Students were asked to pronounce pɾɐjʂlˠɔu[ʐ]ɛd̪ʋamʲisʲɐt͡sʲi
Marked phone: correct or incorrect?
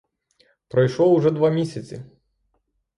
correct